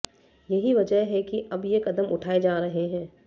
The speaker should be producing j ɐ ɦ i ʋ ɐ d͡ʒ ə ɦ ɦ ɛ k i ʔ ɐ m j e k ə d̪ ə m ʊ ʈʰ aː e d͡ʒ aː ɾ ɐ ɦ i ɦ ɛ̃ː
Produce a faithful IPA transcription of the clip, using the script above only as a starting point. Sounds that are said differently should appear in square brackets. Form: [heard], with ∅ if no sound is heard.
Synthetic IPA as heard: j ɐ ɦ i ʋ ɐ d͡ʒ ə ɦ ɦ ɛ k i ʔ ɐ [b] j e k [ɐ] d̪ ə m ʊ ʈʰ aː e d͡ʒ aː ɾ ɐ ɦ [e] ɦ ɛ̃ː